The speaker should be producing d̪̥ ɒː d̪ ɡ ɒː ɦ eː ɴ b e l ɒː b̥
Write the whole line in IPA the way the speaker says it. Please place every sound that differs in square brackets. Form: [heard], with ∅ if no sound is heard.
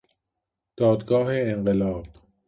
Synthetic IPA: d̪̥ ɒː d̪ ɡ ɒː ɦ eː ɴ [ɢ] e l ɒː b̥

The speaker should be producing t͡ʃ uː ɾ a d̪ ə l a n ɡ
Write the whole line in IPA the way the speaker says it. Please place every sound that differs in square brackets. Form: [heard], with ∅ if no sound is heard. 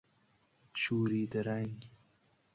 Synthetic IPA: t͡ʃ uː ɾ [i] d̪ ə [ɾ] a [ŋ] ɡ

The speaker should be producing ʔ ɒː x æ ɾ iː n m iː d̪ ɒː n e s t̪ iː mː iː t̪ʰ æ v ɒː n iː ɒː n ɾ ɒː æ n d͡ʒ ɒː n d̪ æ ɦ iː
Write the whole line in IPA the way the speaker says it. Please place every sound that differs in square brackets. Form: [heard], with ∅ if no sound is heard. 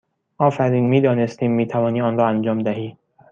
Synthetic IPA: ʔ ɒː [f] æ ɾ iː n m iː d̪ ɒː n e s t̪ iː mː iː t̪ʰ æ v ɒː n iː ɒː n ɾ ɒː æ n d͡ʒ ɒː [m] d̪ æ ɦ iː

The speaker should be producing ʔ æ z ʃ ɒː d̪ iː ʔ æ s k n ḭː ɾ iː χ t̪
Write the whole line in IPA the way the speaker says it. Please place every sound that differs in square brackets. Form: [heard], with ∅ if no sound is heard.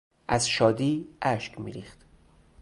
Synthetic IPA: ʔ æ z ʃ ɒː d̪ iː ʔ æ [ʃ] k [m] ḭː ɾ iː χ t̪

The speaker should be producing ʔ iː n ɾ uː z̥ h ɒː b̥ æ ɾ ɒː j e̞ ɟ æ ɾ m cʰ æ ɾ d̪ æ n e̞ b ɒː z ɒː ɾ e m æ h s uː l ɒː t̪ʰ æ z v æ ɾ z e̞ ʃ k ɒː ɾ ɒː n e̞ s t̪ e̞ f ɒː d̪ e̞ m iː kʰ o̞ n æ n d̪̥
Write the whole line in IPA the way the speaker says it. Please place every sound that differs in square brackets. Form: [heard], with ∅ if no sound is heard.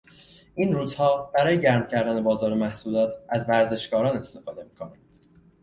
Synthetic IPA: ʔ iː n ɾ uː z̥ h ɒː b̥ æ ɾ ɒː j e̞ ɟ æ ɾ m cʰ æ ɾ d̪ æ n e̞ b ɒː z ɒː ɾ e m æ h s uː l ɒː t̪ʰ æ z v æ ɾ z e̞ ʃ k ɒː ɾ ɒː n e̞ s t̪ e̞ f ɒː d̪ e̞ m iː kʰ o̞ n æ n d̪̥

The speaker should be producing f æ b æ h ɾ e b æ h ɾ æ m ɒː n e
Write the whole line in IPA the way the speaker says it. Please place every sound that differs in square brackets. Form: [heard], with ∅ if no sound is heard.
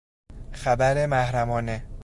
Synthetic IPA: [x] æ b æ [∅] ɾ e [m] æ h ɾ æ m ɒː n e

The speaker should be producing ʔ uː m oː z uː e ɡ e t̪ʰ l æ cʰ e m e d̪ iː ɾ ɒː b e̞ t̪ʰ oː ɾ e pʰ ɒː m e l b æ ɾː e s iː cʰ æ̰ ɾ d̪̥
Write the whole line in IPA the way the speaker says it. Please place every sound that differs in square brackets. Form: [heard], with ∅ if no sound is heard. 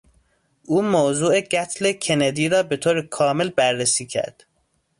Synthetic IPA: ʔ uː m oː z uː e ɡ [æ] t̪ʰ l [e] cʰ e [n] e d̪ iː ɾ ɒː b e̞ t̪ʰ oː ɾ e [kʰ] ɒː m e l b æ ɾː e s iː cʰ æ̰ ɾ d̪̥

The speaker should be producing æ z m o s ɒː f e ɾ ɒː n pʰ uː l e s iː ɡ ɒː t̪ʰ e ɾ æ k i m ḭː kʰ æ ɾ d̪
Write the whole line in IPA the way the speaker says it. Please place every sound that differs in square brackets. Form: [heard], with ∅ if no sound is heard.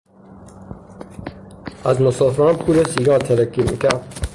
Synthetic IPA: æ z m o s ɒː f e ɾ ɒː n pʰ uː l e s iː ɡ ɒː t̪ʰ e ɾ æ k i m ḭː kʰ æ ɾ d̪

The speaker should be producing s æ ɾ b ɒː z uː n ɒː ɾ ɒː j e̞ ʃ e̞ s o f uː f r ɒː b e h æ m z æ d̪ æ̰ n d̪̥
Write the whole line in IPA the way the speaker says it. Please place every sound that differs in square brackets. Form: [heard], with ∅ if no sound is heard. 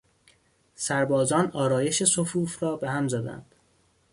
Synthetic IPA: s æ ɾ b ɒː z [ɒː] n ɒː ɾ ɒː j e̞ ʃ e̞ s o f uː f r ɒː b e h æ m z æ d̪ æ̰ n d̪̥

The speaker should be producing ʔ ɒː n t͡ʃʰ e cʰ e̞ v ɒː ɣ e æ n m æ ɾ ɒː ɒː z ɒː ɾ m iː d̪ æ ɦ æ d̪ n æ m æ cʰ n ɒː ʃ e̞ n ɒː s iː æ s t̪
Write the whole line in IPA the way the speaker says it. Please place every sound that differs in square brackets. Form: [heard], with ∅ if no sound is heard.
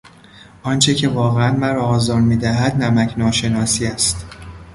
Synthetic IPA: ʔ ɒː n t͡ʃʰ e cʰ e̞ v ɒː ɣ e æ n m æ ɾ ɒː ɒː z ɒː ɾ m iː d̪ æ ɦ æ d̪ n æ m æ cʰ n ɒː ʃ e̞ n ɒː s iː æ s t̪

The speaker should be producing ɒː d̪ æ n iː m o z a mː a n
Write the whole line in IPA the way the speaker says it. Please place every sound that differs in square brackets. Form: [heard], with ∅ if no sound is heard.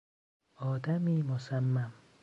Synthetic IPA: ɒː d̪ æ [m] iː m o [s] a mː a [m]

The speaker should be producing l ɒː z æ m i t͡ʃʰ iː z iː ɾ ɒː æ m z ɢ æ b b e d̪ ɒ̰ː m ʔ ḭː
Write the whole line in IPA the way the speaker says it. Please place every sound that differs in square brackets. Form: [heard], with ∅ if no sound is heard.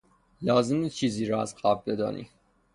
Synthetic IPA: l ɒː z [e] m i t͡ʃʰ iː z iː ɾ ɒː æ [∅] z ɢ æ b b e d̪ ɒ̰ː [n] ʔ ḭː

